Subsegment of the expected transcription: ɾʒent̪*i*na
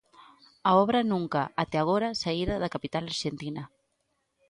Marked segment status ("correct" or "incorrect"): correct